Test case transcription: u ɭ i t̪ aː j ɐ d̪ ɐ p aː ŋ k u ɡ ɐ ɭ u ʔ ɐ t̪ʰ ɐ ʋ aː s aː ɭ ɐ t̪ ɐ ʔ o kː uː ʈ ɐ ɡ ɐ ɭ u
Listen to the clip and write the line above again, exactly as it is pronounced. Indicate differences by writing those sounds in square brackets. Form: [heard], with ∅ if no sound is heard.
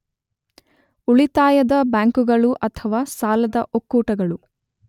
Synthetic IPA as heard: u ɭ i t̪ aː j ɐ d̪ ɐ [b] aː ŋ k u ɡ ɐ ɭ u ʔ ɐ t̪ʰ ɐ ʋ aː s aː [l] ɐ [d̪] ɐ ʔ o kː uː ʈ ɐ ɡ ɐ ɭ u